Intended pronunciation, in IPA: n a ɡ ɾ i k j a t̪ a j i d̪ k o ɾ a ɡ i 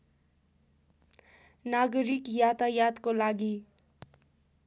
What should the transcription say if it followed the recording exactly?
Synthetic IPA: n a ɡ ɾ i k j a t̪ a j a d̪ k o l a ɡ i